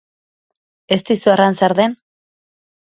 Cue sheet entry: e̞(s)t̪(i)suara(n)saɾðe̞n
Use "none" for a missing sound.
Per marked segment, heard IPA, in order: s, i, n

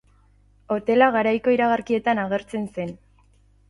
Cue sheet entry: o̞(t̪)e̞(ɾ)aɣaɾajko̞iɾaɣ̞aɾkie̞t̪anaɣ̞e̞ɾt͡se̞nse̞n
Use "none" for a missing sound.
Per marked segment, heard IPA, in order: t̪, l

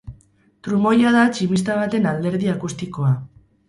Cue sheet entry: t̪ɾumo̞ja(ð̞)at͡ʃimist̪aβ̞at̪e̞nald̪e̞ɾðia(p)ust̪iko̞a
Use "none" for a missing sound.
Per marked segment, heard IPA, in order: ð̞, k

